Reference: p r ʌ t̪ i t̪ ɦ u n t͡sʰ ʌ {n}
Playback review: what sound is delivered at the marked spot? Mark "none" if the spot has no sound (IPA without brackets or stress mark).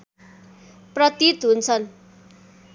n